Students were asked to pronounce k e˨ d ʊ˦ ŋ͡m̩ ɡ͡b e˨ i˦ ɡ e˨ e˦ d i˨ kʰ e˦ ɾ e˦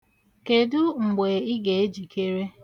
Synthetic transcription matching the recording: k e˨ d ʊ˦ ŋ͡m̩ ɡ͡b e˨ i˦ ɡ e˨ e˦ d͡ʒ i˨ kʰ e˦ ɾ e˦